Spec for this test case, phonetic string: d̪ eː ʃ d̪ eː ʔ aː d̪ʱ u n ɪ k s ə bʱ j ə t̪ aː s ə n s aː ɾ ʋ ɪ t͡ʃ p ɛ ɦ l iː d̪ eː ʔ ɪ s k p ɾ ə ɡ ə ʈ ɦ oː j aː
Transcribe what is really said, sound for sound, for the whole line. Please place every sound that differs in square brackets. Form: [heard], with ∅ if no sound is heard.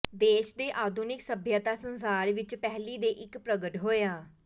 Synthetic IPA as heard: d̪ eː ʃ d̪ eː ʔ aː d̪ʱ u n ɪ k s ə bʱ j ə t̪ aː s ə n s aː ɾ ʋ ɪ t͡ʃ p ɛ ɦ l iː d̪ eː ʔ ɪ [∅] k p ɾ ə ɡ ə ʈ ɦ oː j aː